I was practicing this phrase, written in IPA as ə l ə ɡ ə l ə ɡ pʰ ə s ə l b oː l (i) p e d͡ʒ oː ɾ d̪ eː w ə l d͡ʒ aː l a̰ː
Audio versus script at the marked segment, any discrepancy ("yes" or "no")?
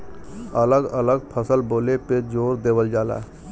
yes